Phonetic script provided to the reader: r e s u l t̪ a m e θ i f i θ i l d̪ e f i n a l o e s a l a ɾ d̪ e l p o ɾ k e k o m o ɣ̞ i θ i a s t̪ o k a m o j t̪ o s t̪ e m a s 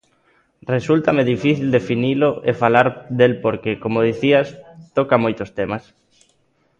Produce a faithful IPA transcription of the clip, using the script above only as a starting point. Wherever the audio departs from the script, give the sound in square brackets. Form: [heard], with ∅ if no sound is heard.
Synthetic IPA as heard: r e s u l t̪ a m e [ð] i f i θ i l d̪ e f i n [i] l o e [f] a l a ɾ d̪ e l p o ɾ k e k o m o [ð̞] i θ i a s t̪ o k a m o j t̪ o s t̪ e m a s